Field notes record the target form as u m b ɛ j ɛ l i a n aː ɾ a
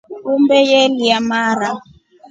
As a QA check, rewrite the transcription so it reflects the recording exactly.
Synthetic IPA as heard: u m b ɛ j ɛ l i a m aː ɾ a